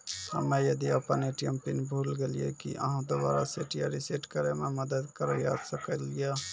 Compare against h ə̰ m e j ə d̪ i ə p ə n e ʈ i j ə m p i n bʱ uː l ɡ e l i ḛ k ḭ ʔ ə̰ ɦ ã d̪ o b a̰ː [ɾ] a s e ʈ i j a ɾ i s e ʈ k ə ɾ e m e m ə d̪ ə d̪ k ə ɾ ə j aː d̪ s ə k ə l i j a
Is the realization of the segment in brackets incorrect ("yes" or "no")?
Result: no